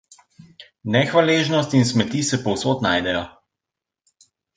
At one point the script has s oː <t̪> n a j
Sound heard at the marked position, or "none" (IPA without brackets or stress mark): t̪